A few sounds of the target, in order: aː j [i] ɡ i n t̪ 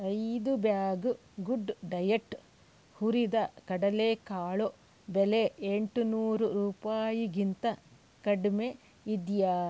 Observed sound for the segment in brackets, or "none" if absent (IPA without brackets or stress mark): i